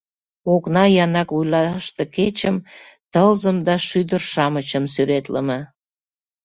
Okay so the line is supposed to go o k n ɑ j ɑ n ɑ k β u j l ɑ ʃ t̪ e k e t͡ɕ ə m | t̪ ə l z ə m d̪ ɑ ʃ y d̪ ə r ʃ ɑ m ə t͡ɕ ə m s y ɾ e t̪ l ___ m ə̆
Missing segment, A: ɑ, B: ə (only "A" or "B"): B